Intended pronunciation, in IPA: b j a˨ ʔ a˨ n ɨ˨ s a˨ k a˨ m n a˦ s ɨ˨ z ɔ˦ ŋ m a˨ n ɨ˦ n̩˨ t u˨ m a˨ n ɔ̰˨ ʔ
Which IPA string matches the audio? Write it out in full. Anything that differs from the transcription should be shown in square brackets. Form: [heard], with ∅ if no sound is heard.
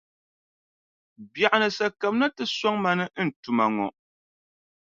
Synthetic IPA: b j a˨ ʔ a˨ n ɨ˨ s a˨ k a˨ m n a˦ [t] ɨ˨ [s] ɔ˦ ŋ m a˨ n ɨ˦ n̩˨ t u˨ m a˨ [ŋ] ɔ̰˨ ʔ